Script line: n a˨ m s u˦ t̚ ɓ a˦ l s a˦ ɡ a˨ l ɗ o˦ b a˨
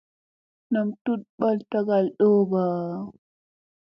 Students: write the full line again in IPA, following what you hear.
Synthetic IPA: n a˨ m t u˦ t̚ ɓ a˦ l t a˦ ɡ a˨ l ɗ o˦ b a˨